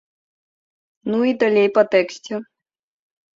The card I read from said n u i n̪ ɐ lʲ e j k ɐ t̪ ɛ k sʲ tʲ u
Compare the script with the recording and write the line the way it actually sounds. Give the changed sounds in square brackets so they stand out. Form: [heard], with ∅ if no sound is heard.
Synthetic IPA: n u i [d̪] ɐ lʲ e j [p] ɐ t̪ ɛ k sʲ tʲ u